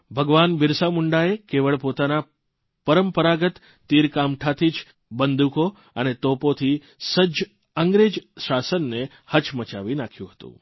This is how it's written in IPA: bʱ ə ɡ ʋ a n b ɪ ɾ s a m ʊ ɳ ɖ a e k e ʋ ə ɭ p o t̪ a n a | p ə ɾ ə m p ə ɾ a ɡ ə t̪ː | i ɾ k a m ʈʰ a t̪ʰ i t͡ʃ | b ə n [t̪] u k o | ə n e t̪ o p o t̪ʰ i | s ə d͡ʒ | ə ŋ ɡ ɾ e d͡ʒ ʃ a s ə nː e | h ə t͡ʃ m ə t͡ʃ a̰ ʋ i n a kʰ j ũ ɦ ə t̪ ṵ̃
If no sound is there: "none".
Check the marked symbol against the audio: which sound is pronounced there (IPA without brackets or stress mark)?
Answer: d̪